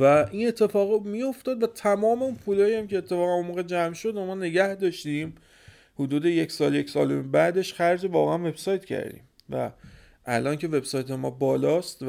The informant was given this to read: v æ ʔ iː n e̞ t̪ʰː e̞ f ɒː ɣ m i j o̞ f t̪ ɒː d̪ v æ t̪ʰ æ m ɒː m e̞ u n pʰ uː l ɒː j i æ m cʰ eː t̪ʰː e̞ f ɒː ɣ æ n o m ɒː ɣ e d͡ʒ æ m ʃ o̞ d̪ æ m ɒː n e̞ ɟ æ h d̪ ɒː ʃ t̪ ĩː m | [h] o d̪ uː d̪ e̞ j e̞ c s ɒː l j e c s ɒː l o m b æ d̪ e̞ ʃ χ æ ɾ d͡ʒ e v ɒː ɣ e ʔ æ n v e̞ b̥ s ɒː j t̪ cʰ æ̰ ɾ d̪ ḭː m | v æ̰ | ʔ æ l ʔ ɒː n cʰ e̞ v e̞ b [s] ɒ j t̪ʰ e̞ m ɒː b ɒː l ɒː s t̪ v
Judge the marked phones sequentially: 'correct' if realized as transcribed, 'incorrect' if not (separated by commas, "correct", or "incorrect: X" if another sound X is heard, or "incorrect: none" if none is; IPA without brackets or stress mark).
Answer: correct, correct